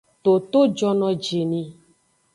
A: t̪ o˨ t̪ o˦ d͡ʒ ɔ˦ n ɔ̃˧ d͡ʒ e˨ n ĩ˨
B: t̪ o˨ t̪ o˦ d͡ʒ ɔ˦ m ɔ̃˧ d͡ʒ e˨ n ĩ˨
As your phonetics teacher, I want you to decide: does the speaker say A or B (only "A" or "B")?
A